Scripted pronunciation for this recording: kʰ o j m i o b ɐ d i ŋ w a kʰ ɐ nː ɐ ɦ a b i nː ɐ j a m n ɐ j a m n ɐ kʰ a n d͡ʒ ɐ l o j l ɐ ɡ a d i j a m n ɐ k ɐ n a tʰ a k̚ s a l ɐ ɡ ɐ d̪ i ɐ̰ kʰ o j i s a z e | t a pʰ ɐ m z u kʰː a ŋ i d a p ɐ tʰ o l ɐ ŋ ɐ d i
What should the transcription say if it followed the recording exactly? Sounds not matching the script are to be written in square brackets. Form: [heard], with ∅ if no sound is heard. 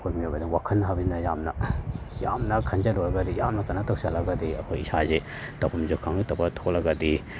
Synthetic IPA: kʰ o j m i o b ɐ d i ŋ w a kʰ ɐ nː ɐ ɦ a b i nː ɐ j a m n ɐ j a m n ɐ kʰ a n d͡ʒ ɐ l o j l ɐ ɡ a d i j a m n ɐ k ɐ n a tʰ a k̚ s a l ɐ ɡ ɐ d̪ i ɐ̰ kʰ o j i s a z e | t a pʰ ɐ m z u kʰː a ŋ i [t] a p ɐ tʰ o l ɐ [ɡ] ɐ d i